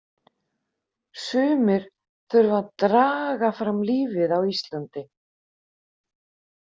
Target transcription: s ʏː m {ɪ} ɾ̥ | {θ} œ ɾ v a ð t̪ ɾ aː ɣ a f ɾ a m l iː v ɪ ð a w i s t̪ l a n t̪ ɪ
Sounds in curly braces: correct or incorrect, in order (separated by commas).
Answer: correct, correct